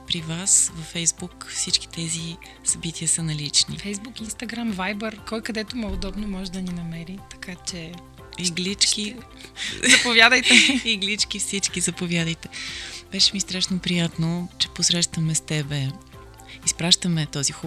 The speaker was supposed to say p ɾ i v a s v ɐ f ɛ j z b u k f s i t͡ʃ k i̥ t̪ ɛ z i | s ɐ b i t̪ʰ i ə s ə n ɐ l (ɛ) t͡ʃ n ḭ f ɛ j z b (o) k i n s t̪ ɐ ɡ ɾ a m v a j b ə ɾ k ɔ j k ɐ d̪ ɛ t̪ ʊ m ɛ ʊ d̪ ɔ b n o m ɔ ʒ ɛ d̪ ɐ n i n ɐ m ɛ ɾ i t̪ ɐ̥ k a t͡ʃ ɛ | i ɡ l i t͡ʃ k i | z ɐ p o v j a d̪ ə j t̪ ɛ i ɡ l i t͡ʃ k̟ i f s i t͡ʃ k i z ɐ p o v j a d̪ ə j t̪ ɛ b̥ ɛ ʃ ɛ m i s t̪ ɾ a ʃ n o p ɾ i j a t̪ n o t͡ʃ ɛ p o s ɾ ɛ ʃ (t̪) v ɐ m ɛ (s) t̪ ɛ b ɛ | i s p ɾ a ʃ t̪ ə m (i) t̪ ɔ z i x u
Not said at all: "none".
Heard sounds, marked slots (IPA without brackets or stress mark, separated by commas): i, u, t̪, s, ɛ